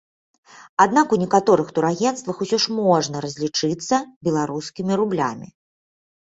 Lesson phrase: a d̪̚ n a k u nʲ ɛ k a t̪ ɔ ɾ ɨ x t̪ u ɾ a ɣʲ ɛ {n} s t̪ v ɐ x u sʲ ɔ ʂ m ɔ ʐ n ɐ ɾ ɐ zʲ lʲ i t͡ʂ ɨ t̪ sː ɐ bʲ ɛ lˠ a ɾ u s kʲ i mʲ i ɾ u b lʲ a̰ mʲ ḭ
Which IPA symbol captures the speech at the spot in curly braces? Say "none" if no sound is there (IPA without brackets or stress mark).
n